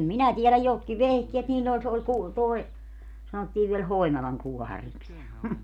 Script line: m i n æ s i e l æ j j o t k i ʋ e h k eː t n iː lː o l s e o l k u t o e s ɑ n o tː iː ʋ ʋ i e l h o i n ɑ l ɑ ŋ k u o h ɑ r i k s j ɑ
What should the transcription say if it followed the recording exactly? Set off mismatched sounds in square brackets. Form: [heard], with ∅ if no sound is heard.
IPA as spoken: m i n æ [t] i e l æ j j o t k i ʋ e h k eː t n iː lː o l s e o l k u t o e s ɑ n o tː iː ʋ ʋ i e l h o i n ɑ l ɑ ŋ k u [ɔ] h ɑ r i k s j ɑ